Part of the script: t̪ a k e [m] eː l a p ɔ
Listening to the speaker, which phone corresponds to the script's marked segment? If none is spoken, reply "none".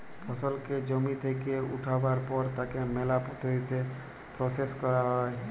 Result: m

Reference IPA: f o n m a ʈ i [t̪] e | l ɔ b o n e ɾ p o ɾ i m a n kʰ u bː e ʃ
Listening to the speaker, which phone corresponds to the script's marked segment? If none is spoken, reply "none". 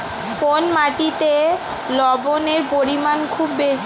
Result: t̪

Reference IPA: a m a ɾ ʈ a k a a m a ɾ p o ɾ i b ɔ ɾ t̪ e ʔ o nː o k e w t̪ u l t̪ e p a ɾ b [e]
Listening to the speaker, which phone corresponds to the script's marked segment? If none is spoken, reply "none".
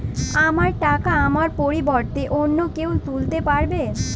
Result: e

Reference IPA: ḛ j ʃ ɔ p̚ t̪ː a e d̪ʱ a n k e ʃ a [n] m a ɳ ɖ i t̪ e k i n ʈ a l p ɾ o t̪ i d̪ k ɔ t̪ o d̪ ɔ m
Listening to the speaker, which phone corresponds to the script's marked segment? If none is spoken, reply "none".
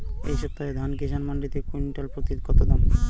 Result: n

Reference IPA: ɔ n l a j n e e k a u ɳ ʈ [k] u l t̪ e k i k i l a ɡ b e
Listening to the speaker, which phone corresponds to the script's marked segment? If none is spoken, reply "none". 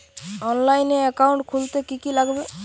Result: kʰ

